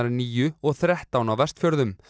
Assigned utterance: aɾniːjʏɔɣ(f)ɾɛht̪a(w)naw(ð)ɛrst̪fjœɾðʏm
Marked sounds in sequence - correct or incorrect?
incorrect: θ, correct, incorrect: v

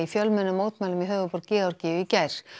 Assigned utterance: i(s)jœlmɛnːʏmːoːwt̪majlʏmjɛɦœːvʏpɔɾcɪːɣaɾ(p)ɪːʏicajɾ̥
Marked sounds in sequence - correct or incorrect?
incorrect: f, incorrect: c

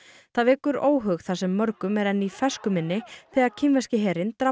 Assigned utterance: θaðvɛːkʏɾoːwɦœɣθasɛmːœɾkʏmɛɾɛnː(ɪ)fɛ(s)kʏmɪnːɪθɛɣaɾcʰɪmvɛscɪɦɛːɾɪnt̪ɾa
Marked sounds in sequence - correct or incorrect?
incorrect: i, correct

